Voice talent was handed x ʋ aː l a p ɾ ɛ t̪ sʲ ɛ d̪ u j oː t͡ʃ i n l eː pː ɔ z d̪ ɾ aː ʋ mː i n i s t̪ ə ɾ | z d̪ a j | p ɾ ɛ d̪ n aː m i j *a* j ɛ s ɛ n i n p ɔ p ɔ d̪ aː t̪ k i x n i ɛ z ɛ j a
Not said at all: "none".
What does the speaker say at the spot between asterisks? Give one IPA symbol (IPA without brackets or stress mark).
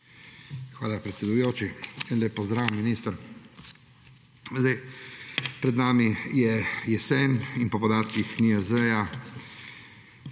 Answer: ɛ